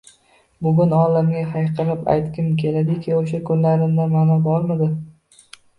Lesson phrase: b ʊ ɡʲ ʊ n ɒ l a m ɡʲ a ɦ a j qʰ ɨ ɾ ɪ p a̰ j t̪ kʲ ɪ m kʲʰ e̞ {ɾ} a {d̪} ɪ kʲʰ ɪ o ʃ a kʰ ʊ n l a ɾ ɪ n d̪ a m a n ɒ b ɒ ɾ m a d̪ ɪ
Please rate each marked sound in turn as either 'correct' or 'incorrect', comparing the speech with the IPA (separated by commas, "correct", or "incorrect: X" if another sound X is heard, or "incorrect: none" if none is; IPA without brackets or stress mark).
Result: incorrect: l, correct